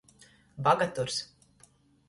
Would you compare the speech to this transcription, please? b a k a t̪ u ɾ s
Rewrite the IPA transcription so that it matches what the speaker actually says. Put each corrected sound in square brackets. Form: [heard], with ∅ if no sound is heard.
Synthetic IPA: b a [ɡ] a t̪ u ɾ s